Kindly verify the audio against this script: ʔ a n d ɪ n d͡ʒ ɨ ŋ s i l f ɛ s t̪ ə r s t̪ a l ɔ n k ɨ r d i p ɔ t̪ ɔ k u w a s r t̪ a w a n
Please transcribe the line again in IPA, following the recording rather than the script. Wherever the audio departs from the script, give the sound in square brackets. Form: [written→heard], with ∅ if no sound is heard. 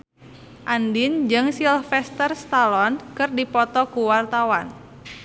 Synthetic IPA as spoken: ʔ a n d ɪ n d͡ʒ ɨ ŋ s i l f ɛ s t̪ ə r s t̪ a l ɔ n k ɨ r d i p ɔ t̪ ɔ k u w a [s→∅] r t̪ a w a n